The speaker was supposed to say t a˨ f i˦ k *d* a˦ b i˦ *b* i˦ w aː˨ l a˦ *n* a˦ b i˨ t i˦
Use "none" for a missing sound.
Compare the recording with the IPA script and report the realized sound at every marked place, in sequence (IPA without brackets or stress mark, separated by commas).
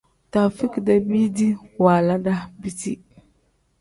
d, d, d